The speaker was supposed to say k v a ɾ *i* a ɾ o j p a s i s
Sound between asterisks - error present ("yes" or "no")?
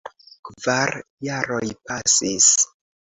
yes